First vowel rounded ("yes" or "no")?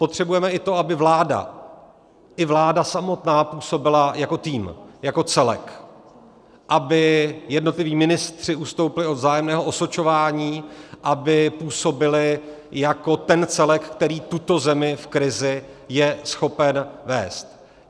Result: yes